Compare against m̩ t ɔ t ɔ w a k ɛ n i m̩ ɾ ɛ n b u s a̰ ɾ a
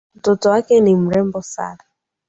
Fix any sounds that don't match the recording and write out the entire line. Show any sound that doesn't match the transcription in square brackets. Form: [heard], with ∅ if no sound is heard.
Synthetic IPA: m̩ t ɔ t ɔ w a k ɛ n i m̩ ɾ ɛ [m] b [ɔ] s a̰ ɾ a